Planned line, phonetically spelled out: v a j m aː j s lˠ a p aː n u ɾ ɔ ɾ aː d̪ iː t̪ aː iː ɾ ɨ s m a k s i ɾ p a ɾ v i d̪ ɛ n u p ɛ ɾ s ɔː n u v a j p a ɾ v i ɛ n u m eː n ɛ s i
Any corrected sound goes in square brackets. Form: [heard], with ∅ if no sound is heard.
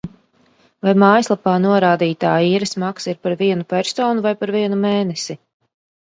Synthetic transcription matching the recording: v a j m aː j s lˠ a p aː n u [∅] ɔ ɾ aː d̪ iː t̪ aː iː ɾ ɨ s m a k s i ɾ p a ɾ v i [∅] ɛ n u p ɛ ɾ s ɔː n u v a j p a ɾ v i ɛ n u m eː n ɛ s i